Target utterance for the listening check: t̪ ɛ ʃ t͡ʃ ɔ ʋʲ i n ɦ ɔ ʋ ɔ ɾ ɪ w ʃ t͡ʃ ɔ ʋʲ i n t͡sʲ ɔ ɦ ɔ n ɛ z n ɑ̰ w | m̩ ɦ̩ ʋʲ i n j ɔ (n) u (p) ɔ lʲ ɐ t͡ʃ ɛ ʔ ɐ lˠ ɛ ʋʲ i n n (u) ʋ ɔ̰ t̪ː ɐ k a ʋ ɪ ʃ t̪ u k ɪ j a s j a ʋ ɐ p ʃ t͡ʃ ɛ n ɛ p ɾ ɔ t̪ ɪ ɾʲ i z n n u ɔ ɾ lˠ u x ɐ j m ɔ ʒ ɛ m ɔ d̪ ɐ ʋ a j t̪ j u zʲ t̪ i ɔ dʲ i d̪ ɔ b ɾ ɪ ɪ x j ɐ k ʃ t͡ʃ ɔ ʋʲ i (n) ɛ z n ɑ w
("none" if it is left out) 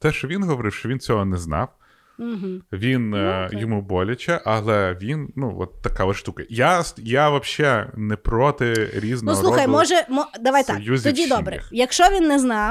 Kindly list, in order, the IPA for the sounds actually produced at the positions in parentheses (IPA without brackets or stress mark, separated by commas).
m, b, u, nː